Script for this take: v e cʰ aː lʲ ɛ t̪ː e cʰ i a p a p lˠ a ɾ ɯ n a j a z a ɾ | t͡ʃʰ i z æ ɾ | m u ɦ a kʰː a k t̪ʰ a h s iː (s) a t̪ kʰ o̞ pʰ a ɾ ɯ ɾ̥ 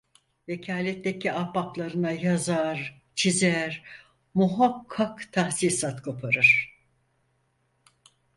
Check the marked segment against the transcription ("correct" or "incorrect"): correct